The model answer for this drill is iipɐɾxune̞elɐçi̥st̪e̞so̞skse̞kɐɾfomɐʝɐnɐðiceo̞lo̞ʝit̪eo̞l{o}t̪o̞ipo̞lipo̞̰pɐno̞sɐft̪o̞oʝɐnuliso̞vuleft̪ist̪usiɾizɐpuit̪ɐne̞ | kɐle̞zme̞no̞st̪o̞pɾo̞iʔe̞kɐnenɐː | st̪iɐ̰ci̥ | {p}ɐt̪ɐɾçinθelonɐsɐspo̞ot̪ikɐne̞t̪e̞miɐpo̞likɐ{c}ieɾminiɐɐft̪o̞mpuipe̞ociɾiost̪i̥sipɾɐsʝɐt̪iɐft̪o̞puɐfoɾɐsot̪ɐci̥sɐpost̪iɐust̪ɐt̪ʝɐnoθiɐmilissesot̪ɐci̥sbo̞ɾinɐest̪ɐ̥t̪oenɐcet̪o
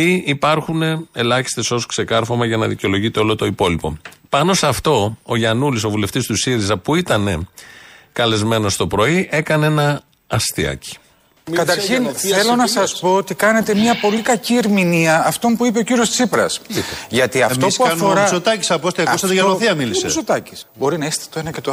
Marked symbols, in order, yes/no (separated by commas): yes, no, yes